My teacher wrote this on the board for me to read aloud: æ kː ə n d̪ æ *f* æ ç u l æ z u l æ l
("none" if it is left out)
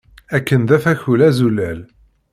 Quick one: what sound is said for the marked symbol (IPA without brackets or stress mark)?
f